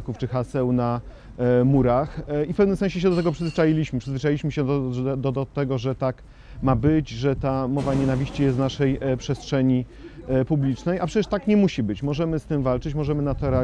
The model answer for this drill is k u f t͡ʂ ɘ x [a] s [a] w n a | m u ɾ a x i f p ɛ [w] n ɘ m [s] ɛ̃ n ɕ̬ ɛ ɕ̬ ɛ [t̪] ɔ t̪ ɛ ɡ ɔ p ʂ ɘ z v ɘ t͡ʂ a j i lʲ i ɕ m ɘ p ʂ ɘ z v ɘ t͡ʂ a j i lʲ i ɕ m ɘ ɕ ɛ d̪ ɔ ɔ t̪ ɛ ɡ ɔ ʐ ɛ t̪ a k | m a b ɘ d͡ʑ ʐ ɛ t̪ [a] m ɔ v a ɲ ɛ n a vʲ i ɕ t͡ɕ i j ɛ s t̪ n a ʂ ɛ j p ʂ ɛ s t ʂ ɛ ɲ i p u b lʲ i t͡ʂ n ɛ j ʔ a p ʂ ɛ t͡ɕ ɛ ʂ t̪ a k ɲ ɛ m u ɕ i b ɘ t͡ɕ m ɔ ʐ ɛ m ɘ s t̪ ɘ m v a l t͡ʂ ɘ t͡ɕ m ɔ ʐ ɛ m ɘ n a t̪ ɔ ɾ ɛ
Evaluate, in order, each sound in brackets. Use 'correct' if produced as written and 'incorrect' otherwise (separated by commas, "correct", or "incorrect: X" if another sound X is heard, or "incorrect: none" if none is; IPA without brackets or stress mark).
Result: correct, incorrect: ɛ, incorrect: v, correct, incorrect: d̪, correct